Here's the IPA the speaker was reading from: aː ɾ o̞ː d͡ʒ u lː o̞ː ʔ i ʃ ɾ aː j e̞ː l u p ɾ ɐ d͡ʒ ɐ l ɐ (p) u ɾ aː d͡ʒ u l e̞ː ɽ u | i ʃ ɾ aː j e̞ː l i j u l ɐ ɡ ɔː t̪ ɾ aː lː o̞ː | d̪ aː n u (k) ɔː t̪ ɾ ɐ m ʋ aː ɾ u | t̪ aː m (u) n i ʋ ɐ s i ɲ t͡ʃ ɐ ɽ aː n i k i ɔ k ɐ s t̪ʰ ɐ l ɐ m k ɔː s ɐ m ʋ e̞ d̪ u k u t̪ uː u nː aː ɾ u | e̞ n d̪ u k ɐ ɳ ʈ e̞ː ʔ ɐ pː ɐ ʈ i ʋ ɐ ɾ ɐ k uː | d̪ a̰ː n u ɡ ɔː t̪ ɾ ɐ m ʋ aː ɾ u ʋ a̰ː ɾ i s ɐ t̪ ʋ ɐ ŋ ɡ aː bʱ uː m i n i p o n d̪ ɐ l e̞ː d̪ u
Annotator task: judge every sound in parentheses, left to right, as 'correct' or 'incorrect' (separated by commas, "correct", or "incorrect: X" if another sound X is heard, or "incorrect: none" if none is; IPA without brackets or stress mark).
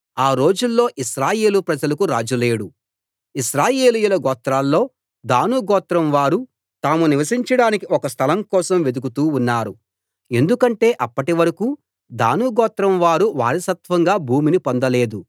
incorrect: k, incorrect: ɡ, correct